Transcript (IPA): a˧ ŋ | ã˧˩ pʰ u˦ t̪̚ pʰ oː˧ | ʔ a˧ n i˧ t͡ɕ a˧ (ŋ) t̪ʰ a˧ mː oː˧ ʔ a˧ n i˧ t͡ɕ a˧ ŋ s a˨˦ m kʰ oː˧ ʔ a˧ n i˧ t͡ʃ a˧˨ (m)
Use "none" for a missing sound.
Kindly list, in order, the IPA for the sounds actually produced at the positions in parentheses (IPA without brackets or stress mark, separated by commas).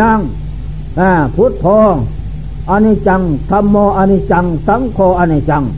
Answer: ŋ, ŋ